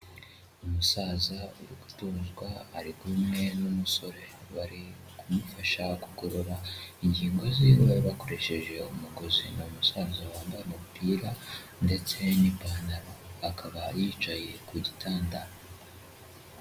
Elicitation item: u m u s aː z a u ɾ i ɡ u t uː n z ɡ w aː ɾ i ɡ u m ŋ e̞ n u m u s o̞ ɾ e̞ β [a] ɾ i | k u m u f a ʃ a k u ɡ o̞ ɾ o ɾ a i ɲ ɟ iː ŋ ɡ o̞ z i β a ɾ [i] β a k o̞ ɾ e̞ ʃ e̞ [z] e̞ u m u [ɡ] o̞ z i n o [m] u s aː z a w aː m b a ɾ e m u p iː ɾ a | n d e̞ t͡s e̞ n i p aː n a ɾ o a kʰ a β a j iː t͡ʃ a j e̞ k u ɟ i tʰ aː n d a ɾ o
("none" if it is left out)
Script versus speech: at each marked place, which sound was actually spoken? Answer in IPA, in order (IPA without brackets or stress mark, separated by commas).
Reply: a, i, ʒ, ɡ, m